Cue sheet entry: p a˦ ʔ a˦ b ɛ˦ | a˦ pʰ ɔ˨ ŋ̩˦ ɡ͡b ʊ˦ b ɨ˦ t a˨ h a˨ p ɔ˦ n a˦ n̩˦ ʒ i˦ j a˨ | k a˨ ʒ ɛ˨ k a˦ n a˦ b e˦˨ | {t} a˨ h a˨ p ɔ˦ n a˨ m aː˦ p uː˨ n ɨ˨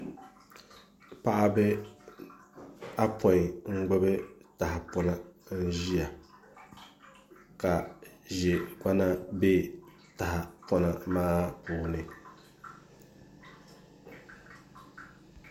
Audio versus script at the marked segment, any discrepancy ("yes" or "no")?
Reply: no